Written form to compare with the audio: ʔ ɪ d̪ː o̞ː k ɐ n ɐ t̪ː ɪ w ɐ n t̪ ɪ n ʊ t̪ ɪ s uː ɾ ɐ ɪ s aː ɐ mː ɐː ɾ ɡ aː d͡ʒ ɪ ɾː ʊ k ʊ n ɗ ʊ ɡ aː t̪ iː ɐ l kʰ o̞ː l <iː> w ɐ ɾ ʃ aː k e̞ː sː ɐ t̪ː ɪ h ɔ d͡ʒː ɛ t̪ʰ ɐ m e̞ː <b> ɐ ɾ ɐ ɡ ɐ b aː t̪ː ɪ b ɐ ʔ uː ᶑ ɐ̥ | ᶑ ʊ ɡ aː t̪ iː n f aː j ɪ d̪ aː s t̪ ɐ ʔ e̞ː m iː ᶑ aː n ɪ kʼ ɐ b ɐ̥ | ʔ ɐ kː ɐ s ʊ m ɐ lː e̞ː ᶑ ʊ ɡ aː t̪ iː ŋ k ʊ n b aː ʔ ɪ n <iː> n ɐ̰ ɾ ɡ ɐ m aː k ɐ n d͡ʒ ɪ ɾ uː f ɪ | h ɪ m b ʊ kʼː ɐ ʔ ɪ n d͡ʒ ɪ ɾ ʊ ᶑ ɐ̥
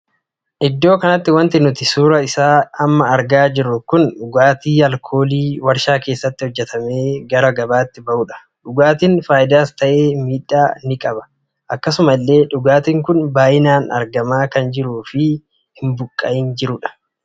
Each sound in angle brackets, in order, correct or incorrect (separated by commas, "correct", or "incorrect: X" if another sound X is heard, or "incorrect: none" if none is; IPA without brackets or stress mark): correct, incorrect: ɡ, incorrect: aː